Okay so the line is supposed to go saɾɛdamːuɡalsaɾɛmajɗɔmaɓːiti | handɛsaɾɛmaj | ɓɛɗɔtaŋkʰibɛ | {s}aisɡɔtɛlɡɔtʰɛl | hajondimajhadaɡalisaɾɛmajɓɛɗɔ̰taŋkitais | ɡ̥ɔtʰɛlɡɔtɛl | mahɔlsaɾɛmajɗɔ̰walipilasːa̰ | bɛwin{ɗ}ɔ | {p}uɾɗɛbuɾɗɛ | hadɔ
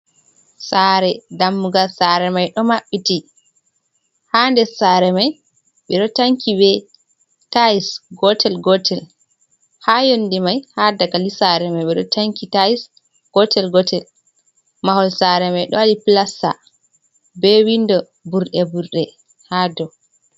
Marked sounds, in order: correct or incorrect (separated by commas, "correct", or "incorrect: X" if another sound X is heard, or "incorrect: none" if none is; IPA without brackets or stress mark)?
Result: incorrect: t, incorrect: d, incorrect: b